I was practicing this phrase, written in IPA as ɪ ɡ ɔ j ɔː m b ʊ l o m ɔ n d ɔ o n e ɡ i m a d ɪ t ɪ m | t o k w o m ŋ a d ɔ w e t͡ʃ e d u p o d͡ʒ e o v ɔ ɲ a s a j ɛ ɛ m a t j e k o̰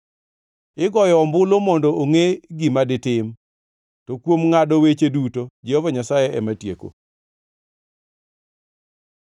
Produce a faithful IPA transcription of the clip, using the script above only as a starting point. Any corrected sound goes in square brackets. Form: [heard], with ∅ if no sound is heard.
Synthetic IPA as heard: ɪ ɡ ɔ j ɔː m b ʊ l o m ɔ n d ɔ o [ŋ] e ɡ i m a d ɪ t ɪ m | t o k w o m ŋ a d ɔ w e t͡ʃ e d u [t] o d͡ʒ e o v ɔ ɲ a s a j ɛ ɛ m a t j e k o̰